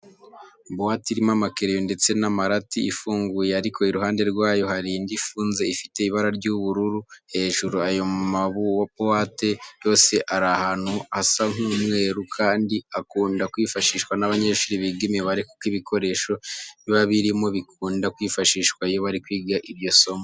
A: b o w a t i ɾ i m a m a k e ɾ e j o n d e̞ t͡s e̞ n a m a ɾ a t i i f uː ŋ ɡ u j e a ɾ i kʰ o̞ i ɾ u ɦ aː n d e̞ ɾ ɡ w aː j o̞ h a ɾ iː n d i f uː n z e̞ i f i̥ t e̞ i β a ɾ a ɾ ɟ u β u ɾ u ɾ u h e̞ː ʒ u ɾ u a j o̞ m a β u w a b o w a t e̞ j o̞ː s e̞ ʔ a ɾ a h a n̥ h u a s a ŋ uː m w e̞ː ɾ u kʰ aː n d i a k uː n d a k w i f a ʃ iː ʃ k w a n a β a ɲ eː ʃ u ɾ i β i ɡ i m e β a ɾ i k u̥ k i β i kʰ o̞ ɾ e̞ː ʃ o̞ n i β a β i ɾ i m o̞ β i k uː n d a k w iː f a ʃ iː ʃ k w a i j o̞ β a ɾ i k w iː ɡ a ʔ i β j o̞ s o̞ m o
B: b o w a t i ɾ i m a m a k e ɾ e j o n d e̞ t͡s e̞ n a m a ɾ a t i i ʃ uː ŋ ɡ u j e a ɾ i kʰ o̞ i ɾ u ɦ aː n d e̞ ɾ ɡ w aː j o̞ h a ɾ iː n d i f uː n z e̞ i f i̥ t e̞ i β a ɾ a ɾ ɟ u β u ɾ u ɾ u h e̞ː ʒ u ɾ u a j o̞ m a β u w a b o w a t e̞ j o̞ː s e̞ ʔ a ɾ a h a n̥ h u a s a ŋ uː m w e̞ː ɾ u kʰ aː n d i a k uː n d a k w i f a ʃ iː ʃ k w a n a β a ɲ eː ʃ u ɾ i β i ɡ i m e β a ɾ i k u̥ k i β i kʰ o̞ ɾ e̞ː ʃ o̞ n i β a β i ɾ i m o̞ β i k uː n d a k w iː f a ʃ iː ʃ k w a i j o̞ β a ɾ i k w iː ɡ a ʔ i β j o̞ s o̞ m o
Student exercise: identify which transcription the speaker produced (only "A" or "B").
A